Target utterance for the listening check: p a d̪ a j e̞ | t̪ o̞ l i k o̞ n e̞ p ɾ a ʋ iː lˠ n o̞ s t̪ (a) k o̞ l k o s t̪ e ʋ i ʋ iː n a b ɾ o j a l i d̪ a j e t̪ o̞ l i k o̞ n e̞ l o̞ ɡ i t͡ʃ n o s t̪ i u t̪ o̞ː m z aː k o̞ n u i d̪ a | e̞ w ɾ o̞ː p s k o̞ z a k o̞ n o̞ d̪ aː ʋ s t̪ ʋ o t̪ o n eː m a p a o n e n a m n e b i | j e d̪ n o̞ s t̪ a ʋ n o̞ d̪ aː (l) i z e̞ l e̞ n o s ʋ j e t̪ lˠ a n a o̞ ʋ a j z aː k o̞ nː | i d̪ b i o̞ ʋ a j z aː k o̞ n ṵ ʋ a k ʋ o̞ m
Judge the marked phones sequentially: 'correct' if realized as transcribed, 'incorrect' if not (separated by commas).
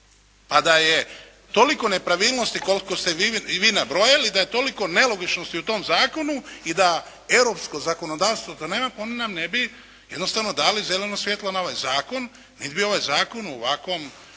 incorrect, correct